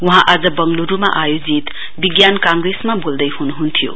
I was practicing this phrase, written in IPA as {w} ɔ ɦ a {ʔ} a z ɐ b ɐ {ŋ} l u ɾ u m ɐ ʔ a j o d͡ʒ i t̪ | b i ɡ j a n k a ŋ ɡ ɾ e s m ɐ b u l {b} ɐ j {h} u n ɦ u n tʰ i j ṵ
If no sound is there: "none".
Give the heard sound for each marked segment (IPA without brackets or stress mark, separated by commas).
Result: w, ʔ, ŋ, d, h